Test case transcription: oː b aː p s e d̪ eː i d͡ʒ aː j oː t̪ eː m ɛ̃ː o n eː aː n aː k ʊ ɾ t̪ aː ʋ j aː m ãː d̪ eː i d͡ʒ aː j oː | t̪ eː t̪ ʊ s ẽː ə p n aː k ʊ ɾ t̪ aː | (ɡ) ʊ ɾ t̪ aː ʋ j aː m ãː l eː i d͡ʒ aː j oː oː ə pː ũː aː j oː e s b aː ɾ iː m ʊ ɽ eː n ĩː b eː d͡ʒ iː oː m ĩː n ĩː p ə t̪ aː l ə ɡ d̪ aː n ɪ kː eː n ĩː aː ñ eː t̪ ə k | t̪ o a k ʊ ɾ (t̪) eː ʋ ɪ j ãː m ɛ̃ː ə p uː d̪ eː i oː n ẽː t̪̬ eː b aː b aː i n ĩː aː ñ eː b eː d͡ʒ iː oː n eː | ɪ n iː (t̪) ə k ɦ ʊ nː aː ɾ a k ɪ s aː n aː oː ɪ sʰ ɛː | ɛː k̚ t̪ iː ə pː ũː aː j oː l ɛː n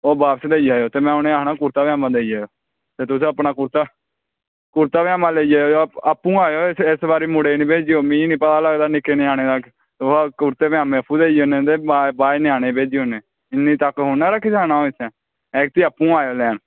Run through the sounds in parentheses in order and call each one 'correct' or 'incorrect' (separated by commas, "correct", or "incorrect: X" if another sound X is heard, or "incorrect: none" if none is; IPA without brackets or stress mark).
incorrect: k, correct, correct